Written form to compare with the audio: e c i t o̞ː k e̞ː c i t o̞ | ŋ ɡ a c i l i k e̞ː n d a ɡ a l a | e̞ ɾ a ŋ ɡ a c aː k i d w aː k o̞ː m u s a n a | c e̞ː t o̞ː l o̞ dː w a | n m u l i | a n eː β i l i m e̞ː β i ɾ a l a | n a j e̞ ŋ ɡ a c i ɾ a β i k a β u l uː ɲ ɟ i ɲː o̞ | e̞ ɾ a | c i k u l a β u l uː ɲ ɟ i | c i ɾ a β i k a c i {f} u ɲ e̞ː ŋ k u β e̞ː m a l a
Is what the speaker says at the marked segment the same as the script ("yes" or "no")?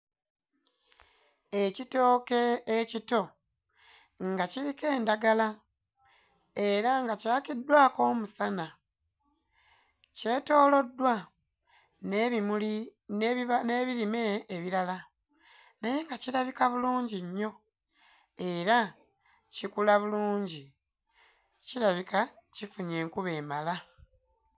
yes